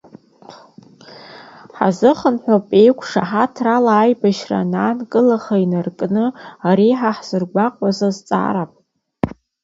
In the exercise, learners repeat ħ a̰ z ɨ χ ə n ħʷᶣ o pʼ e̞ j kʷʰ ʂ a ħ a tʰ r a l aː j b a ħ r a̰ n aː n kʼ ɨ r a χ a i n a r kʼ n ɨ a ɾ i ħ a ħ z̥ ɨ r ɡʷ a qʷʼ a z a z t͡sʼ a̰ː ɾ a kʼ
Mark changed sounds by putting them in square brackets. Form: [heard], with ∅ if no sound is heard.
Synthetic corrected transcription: ħ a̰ z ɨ χ ə n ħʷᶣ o pʼ e̞ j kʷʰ ʂ a ħ a tʰ r a l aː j b a [ʃ] r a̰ n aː n kʼ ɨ [l] a χ a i n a r kʼ n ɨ a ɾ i ħ a ħ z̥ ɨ r ɡʷ a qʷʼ a z a z t͡sʼ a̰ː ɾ a [pʼ]